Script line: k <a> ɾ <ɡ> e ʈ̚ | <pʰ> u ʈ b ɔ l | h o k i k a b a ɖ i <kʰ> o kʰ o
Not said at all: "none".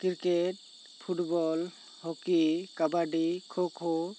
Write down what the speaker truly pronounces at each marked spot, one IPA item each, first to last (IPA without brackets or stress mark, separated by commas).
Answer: i, k, pʰ, kʰ